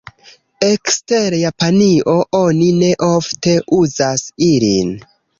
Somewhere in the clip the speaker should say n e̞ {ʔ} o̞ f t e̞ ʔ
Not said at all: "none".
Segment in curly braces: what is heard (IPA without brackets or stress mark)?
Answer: ʔ